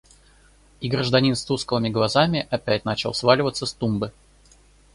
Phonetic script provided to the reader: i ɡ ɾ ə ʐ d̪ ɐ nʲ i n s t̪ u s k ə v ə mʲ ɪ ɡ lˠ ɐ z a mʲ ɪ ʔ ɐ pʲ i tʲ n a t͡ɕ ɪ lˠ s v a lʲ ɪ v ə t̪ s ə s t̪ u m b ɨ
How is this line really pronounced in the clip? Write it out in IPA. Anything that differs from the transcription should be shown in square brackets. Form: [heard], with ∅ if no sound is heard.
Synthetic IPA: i ɡ ɾ ə ʐ d̪ ɐ nʲ i n s t̪ u s k ə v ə mʲ ɪ ɡ lˠ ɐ z a mʲ ɪ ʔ ɐ pʲ [æ] tʲ n a t͡ɕ ɪ lˠ s v a lʲ ɪ v ə t̪ s ə s t̪ u m b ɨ

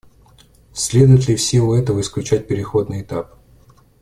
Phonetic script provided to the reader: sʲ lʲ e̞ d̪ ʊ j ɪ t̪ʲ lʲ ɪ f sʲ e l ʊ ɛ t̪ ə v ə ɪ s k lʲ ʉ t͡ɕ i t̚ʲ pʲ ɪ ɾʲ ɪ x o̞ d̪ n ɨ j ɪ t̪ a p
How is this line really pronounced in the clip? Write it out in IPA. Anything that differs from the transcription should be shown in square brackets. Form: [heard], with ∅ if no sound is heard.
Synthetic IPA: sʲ lʲ e̞ d̪ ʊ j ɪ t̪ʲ lʲ ɪ f sʲ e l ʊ ɛ t̪ ə v ə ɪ s k lʲ ʉ t͡ɕ [æ] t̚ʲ pʲ ɪ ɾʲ ɪ x o̞ d̪ n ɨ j ɪ t̪ a p

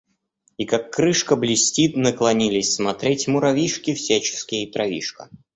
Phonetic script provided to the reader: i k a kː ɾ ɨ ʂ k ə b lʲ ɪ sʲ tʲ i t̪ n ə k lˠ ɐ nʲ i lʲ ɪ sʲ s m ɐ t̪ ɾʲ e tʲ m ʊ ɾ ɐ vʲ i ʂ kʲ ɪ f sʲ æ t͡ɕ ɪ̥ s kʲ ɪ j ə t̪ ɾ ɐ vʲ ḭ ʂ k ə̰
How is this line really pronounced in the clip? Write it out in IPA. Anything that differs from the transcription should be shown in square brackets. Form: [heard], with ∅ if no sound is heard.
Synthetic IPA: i k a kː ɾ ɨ ʂ k ə b lʲ ɪ sʲ tʲ i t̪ n ə k lˠ ɐ nʲ i lʲ ɪ sʲ s m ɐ t̪ ɾʲ e tʲ m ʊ ɾ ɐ vʲ i ʂ kʲ ɪ f sʲ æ t͡ɕ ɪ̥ s kʲ ɪ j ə t̪ ɾ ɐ vʲ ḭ ʂ k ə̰

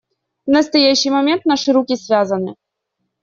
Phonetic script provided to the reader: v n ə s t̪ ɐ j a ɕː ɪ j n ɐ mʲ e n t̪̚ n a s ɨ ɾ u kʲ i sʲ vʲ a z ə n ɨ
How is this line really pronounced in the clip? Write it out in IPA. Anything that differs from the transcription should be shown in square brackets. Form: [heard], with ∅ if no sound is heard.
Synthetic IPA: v n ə s t̪ ɐ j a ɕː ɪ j [m] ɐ mʲ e n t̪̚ n a [ʂ] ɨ ɾ u kʲ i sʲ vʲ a z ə n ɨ

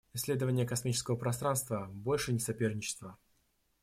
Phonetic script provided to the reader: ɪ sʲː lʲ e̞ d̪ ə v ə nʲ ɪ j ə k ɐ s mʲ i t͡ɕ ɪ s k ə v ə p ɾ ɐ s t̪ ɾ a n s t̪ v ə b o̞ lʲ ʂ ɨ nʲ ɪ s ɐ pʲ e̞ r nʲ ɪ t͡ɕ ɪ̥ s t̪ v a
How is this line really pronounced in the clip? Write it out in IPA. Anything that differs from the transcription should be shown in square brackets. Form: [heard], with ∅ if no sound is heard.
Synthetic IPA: ɪ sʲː lʲ e̞ d̪ ə v ə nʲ ɪ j ə k ɐ s mʲ i t͡ɕ ɪ s k ə v ə p ɾ ɐ s t̪ ɾ a n s t̪ v ə b o̞ lʲ ʂ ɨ nʲ ɪ s ɐ pʲ e̞ r nʲ ɪ t͡ɕ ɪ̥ s t̪ v [ə]

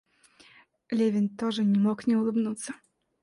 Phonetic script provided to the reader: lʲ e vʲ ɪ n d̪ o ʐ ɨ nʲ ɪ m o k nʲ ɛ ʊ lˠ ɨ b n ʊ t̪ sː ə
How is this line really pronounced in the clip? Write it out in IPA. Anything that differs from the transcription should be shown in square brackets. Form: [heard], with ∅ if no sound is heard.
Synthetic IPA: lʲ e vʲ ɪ n [t̪] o ʐ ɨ nʲ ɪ m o k nʲ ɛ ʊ lˠ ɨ b n [u] t̪ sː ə

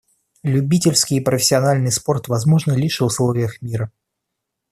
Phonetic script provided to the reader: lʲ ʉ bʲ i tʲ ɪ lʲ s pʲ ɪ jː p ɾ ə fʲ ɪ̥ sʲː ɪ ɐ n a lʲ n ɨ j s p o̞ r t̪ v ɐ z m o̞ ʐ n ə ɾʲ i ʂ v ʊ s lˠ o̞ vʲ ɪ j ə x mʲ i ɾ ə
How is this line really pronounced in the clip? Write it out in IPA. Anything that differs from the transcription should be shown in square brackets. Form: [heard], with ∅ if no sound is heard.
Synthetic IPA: lʲ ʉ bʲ i tʲ ɪ lʲ s [kʲ] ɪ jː p ɾ ə fʲ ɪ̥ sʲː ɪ ɐ n a lʲ n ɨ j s p o̞ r t̪ v ɐ z m o̞ ʐ n ə [lʲ] i ʂ v ʊ s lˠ o̞ vʲ ɪ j ə x mʲ i ɾ ə

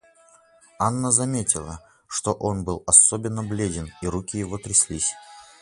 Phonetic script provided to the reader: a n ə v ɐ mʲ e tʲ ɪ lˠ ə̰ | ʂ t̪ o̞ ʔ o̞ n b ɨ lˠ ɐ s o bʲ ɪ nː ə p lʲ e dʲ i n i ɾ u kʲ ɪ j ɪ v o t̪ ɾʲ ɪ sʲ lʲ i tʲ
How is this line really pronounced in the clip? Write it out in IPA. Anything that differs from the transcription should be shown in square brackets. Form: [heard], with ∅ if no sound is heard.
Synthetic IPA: a [nː] ə [z] ɐ mʲ e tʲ ɪ lˠ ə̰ | ʂ t̪ o̞ ʔ o̞ n b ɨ lˠ ɐ s o bʲ ɪ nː ə [b] lʲ e dʲ [ɪ] n i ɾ u kʲ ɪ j ɪ v o t̪ ɾʲ ɪ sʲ lʲ i [sʲ]

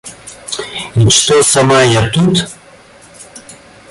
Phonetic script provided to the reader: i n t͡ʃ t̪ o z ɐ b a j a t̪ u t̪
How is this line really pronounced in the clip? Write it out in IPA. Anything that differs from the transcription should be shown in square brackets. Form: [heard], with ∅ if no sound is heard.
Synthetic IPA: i n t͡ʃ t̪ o [s] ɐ [m] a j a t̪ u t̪

